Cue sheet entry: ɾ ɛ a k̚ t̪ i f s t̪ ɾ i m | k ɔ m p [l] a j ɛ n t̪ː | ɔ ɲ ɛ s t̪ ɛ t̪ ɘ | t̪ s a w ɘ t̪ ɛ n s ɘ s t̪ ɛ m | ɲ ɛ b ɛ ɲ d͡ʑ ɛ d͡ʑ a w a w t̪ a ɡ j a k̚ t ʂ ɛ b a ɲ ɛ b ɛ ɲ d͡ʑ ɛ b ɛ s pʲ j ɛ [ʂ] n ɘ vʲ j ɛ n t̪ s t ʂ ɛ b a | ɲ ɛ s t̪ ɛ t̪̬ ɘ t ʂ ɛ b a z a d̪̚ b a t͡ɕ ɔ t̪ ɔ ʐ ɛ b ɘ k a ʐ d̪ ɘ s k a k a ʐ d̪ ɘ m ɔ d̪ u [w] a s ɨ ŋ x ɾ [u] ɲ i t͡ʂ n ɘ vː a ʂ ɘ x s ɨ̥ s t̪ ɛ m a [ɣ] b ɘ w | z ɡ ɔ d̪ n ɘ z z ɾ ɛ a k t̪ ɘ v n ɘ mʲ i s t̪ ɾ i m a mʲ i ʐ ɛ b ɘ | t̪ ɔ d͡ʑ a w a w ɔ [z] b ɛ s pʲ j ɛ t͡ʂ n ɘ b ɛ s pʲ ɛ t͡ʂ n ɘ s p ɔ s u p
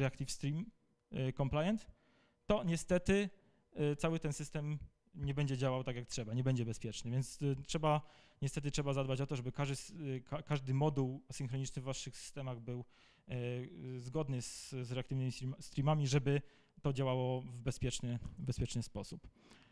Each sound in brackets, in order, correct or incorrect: correct, incorrect: t͡ʂ, correct, incorrect: ɔ, correct, incorrect: v

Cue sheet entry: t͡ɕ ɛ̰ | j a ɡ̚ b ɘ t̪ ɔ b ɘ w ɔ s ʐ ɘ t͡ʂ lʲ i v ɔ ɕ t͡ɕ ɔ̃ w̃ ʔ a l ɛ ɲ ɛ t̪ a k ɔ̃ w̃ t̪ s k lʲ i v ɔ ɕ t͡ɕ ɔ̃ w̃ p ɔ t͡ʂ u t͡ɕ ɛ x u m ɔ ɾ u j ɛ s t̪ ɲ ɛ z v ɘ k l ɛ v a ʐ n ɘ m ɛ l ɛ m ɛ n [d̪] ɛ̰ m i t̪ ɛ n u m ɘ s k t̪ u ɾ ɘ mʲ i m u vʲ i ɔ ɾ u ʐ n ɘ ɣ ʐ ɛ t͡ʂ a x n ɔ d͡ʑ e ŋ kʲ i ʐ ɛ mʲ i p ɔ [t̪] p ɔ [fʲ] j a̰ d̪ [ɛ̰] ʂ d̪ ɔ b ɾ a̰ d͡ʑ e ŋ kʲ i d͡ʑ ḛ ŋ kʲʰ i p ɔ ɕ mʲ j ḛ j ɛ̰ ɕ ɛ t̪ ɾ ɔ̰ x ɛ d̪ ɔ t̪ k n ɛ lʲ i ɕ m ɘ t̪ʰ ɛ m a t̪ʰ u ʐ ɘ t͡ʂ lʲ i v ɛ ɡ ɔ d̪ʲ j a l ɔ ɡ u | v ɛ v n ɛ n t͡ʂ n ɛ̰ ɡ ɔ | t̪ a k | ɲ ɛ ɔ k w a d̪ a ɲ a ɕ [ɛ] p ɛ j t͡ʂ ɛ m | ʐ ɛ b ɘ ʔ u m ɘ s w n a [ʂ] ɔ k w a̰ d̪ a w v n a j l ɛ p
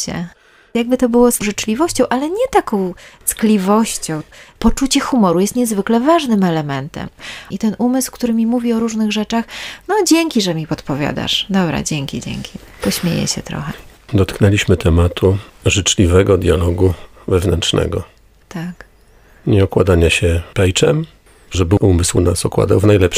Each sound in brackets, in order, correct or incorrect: incorrect: t̪, correct, incorrect: vʲ, incorrect: a̰, correct, incorrect: s

